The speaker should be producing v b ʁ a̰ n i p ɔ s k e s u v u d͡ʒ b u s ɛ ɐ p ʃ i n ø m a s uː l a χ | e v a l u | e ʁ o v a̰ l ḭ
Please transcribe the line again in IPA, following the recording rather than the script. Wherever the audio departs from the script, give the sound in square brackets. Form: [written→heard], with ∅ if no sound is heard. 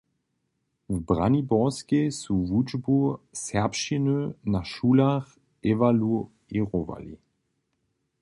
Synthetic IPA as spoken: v b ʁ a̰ n i [p→b] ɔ s k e s u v u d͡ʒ b u s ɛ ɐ p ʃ i n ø [m→n] a [s→ʃ] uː l a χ | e v a l u | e ʁ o v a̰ l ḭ